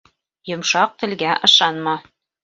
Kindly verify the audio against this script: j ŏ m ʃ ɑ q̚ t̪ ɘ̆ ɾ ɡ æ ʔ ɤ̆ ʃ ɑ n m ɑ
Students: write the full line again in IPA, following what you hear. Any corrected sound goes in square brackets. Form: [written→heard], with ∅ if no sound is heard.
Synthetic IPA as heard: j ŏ m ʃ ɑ q̚ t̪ ɘ̆ [ɾ→l] ɡ æ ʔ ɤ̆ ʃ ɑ n m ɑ